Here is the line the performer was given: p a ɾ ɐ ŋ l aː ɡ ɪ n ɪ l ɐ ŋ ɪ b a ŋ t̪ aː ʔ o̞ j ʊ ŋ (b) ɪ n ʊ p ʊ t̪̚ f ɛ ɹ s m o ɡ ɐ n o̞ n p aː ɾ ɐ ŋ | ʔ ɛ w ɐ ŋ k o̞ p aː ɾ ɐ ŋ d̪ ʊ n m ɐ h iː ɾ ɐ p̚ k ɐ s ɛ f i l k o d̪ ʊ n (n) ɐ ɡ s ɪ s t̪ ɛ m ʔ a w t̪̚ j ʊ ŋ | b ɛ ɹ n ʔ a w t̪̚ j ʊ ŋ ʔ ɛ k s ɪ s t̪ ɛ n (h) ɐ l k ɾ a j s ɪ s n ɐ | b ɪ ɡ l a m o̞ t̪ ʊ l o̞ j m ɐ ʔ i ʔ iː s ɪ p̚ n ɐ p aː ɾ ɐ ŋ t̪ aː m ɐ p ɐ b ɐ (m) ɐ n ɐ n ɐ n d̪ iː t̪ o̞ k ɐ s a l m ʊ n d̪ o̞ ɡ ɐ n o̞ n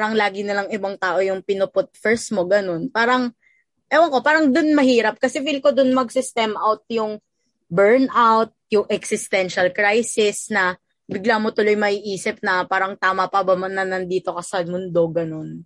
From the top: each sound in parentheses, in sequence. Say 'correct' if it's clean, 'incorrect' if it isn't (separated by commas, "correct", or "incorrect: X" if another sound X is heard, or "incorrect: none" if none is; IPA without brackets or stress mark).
incorrect: p, incorrect: m, incorrect: ʃ, correct